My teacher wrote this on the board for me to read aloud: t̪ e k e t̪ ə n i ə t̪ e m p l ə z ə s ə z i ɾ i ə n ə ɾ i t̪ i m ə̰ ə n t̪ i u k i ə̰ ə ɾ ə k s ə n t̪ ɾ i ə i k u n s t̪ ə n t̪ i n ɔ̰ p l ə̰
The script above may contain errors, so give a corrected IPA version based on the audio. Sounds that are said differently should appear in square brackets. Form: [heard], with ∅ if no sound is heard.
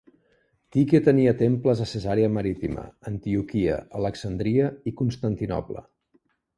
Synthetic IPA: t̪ [i] k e t̪ ə n i ə t̪ e m p l ə z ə s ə z [a] ɾ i ə [m] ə ɾ i t̪ i m ə̰ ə n t̪ i u k i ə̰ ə [l] ə k s ə n [d̪] ɾ i ə i k u n s t̪ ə n t̪ i n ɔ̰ p l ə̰